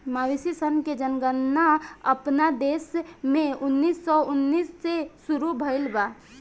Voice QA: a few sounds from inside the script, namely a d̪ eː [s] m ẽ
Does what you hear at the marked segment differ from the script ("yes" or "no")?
no